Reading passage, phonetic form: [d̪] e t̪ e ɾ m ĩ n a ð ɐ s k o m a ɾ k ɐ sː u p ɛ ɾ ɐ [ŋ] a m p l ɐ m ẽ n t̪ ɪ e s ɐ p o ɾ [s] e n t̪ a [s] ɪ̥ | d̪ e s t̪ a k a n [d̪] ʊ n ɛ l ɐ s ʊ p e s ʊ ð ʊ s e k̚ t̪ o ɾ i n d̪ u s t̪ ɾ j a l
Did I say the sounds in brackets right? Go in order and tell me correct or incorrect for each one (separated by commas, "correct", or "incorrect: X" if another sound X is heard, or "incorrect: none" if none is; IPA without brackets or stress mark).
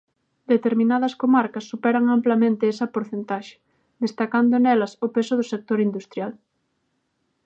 correct, correct, incorrect: θ, incorrect: ʃ, correct